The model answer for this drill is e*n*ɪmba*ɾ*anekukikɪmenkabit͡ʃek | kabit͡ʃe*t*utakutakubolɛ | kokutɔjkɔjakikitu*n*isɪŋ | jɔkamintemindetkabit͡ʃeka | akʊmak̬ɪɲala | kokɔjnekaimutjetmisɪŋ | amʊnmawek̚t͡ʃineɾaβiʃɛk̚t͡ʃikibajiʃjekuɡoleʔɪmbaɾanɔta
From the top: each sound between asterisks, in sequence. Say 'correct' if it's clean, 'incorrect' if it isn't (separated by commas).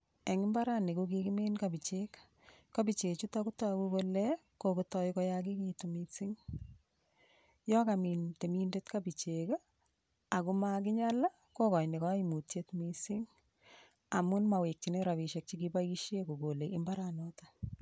incorrect, correct, incorrect, incorrect